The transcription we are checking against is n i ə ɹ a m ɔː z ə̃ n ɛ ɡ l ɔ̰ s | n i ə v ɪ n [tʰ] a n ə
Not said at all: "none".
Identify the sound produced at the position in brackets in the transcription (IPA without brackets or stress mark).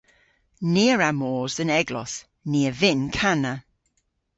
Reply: kʰ